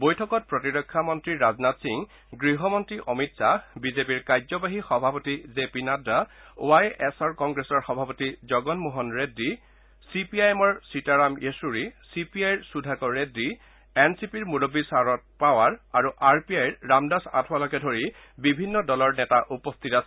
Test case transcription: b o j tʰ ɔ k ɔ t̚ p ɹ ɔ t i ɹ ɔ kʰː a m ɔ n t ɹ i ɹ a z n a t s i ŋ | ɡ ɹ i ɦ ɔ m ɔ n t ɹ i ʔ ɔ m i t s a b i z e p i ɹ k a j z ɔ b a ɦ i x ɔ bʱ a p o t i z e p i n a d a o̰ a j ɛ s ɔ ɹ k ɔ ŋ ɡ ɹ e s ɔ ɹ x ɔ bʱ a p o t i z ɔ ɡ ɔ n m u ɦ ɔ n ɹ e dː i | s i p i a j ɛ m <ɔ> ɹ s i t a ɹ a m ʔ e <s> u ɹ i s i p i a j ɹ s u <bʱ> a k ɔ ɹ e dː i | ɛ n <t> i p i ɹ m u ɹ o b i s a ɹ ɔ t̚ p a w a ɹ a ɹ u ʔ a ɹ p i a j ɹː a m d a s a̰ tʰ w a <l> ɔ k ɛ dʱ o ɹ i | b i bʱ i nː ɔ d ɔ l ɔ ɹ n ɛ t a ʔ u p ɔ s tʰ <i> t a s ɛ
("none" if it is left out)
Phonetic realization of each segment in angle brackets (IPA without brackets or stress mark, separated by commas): ɔ, s, dʱ, s, l, i